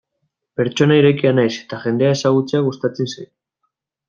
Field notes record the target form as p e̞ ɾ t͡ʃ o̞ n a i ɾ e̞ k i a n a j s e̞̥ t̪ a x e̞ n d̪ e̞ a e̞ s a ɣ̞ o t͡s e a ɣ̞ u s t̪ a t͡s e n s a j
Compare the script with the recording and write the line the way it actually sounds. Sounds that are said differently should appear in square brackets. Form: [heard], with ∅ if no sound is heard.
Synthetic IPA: p e̞ ɾ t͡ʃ o̞ n a i ɾ e̞ k i a n a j s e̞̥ t̪ a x e̞ n d̪ e̞ a e̞ s a ɣ̞ [u] t͡s e a ɣ̞ u s t̪ a t͡s e n s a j